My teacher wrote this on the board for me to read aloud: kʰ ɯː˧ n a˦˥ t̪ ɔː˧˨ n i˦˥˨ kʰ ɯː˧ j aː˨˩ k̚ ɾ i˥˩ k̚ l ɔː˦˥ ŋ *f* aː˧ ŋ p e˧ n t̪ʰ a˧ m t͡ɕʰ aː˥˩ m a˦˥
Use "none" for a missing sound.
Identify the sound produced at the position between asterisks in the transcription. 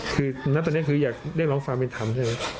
f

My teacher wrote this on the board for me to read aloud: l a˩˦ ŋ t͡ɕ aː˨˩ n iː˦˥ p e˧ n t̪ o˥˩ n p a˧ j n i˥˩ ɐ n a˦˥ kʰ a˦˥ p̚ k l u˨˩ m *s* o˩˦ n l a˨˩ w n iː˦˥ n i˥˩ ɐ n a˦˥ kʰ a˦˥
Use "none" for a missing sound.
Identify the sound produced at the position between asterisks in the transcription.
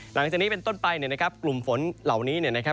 f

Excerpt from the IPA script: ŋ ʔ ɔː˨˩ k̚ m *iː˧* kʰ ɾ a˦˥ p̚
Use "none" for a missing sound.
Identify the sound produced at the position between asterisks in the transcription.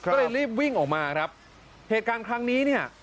aː˧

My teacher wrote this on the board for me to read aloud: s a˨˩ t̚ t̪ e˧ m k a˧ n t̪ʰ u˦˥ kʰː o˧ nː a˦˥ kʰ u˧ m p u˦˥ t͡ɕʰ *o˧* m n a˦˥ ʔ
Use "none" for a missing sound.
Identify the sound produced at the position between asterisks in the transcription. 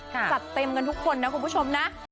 o˧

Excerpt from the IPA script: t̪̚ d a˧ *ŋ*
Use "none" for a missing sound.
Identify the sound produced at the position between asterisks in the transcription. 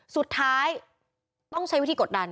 n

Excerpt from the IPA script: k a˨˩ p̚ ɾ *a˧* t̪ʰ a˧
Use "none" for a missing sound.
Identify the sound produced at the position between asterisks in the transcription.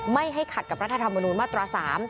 a˦˥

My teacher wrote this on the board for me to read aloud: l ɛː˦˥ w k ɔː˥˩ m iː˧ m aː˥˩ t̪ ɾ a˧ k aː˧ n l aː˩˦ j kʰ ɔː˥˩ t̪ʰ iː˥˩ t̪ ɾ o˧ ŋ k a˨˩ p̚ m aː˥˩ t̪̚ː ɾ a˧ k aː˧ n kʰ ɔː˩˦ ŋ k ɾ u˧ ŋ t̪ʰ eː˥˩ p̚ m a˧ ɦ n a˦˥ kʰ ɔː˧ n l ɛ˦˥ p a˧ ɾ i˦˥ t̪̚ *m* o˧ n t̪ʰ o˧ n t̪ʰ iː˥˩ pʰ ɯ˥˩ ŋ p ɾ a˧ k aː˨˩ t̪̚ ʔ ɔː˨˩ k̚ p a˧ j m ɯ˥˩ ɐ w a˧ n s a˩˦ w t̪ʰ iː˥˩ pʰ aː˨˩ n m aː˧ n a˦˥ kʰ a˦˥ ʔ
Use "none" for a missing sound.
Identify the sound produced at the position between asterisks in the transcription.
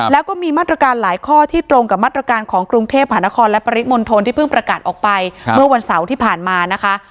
m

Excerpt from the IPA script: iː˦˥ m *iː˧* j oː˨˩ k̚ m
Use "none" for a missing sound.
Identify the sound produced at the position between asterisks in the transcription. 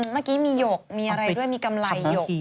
iː˧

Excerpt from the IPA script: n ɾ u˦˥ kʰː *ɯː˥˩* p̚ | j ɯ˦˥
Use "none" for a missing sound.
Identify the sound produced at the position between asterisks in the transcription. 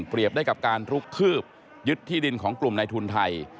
ɯː˥˩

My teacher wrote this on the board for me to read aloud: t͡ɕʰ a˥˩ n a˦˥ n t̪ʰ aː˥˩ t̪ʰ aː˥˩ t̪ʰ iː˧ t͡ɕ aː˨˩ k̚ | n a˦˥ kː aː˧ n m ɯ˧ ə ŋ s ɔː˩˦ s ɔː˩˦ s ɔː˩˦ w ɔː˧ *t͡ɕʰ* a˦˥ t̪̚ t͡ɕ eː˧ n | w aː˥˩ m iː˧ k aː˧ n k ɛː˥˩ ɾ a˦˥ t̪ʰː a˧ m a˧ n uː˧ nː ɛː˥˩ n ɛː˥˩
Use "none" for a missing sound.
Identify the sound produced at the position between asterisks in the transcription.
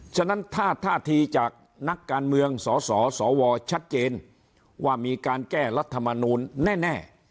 t͡ɕʰ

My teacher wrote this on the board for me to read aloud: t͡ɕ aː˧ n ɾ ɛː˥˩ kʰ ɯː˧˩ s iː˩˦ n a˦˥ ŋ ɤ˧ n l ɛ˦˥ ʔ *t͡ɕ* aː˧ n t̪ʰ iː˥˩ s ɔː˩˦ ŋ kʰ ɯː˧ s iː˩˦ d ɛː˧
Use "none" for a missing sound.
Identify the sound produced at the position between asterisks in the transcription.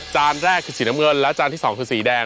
t͡ɕ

